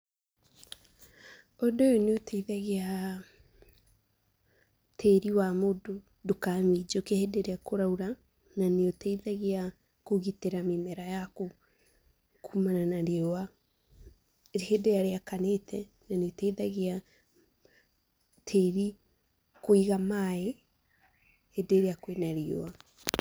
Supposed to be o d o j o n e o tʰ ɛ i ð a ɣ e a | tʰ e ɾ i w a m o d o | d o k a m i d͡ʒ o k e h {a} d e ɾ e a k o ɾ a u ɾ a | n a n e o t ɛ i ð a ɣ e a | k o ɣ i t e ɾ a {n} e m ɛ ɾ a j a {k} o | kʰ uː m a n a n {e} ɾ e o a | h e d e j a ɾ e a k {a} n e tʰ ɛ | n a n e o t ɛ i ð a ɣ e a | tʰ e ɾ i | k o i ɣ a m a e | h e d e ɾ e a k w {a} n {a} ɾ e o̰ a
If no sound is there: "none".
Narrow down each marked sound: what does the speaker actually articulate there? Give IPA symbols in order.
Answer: e, m, k, a, a, e, a

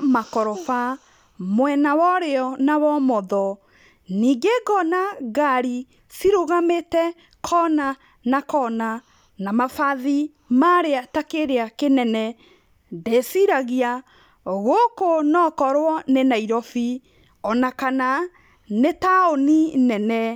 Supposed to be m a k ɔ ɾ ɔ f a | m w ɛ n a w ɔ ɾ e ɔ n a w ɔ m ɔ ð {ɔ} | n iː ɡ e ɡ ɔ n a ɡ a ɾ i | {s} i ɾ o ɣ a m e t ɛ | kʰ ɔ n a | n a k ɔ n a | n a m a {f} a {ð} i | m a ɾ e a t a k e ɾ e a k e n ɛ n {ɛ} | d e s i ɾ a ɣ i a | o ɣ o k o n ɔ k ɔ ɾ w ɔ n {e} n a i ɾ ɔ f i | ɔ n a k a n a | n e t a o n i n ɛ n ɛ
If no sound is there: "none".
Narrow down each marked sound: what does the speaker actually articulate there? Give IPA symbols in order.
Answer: ɔ, s, f, ð, ɛ, e

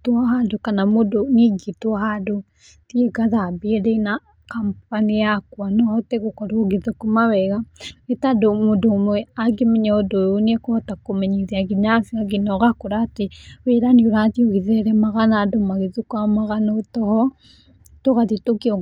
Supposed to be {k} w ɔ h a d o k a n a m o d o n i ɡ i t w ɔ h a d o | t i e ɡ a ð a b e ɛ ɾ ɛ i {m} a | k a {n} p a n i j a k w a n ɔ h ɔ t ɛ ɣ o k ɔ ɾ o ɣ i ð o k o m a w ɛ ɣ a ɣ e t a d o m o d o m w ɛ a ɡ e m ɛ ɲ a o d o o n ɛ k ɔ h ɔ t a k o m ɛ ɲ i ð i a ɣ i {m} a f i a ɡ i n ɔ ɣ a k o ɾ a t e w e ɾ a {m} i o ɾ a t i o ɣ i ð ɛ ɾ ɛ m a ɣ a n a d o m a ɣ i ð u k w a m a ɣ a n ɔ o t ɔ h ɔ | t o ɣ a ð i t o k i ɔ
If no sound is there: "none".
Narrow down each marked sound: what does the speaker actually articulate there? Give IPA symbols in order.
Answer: t, n, m, ɲ, n

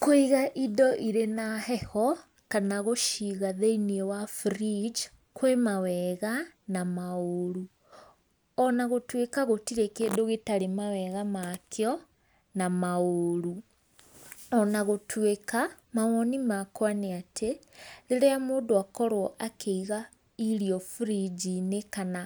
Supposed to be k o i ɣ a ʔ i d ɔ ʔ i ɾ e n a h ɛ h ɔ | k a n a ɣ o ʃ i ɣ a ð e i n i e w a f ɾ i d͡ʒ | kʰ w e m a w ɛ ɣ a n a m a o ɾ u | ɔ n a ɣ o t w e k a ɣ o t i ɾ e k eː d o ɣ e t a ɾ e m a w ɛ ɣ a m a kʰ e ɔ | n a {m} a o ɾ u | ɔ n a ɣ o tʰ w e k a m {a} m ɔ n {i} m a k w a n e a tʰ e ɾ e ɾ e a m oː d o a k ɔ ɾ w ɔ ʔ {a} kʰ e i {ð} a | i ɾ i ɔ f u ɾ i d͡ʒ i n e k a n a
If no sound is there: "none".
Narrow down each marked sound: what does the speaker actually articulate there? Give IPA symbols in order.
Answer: m, a, i, a, ɣ

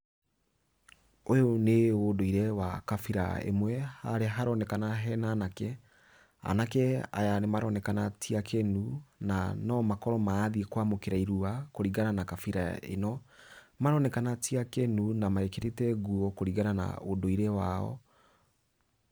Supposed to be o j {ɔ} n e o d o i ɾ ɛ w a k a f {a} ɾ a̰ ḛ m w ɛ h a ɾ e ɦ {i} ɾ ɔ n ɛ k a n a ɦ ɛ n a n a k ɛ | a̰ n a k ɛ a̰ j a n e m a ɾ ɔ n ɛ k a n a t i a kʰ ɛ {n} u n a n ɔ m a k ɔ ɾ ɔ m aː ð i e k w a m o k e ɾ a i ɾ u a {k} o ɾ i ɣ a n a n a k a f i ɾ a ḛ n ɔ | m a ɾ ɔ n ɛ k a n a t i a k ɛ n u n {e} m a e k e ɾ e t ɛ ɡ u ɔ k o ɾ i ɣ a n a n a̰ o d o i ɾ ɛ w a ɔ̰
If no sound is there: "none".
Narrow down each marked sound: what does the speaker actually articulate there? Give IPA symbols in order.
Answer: o, i, a, n, k, a

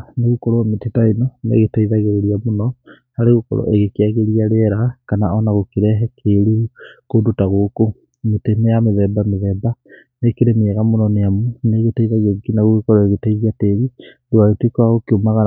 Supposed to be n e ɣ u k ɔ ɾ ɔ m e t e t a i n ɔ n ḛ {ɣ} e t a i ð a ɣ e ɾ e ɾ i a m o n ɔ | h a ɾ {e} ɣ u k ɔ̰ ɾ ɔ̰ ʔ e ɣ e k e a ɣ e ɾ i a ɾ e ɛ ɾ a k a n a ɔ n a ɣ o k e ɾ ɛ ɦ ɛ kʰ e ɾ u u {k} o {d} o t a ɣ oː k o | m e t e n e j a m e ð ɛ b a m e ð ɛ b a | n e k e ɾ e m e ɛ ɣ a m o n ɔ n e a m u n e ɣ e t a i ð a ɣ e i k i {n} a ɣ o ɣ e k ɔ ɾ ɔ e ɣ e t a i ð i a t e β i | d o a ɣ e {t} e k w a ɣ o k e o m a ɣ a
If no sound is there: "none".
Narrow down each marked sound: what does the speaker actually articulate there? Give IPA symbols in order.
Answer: ɣ, e, k, d, n, t

